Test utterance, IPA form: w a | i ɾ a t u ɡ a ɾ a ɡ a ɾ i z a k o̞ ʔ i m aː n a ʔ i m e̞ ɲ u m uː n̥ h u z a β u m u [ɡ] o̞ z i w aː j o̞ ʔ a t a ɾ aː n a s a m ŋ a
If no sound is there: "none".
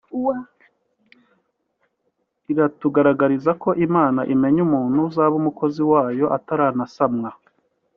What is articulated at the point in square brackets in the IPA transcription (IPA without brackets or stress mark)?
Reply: k